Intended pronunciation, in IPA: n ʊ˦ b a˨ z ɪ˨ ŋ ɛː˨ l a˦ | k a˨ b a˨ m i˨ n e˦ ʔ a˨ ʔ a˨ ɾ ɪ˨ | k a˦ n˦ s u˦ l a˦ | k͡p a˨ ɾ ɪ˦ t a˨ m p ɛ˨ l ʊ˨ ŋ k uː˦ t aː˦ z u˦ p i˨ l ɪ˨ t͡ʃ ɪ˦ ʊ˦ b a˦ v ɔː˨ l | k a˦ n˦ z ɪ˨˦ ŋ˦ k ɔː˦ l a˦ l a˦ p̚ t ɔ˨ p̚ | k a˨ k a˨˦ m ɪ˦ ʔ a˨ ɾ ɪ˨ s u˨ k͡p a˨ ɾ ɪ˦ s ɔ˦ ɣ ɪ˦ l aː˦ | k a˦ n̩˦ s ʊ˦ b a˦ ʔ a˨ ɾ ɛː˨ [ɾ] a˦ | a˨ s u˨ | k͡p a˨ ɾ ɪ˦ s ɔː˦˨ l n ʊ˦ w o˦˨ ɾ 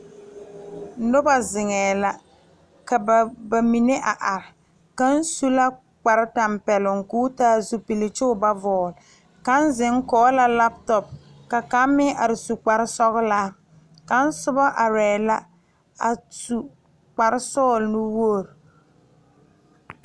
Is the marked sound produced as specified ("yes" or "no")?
no